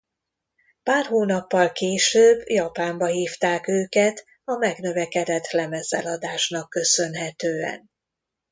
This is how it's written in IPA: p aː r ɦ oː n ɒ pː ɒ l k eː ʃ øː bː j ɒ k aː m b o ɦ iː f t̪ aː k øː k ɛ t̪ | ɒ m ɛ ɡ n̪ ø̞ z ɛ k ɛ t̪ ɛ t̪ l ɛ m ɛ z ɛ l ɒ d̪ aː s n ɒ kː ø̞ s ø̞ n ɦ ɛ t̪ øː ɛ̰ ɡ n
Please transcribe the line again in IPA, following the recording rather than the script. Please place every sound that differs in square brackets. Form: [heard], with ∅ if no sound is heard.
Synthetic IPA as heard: p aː r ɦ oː n ɒ pː ɒ l k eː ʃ øː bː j ɒ [p] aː m b [ɒ] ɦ iː f t̪ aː k øː k ɛ t̪ | ɒ m ɛ ɡ n̪ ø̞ [v] ɛ k ɛ [d̪] ɛ t̪ l ɛ m ɛ z ɛ l ɒ d̪ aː [ʃ] n ɒ kː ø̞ s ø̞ n ɦ ɛ t̪ øː ɛ̰ [∅] n